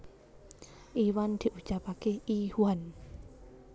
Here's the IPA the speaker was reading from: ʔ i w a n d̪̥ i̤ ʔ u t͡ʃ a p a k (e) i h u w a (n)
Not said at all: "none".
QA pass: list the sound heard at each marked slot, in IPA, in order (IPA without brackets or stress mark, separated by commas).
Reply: e, n